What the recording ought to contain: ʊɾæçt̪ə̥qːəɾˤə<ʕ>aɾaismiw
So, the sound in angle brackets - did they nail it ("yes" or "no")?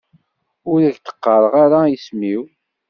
no